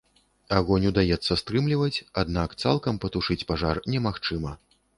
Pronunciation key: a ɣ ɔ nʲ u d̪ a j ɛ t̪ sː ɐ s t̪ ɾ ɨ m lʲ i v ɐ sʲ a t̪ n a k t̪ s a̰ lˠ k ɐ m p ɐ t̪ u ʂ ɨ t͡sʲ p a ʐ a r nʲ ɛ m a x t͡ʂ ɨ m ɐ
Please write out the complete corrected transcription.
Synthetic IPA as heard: a ɣ ɔ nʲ u d̪ a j ɛ t̪ sː ɐ s t̪ ɾ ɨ m lʲ i v ɐ t͡sʲ a d̪ n a k t̪ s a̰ lˠ k ɐ m p ɐ t̪ u ʂ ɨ t͡sʲ p a ʐ a r nʲ ɛ m a x t͡ʂ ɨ m ɐ